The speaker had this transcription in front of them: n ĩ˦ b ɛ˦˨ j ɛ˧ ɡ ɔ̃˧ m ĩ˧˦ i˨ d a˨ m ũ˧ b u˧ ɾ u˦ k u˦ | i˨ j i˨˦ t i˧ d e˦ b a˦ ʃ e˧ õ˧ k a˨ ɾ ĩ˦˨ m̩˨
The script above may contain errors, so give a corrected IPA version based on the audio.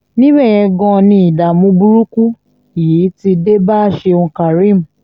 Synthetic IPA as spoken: n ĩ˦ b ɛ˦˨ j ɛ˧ ɡ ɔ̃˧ n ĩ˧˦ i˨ d a˨ m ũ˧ b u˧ ɾ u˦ k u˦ | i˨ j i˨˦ t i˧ d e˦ b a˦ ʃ e˧ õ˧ k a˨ ɾ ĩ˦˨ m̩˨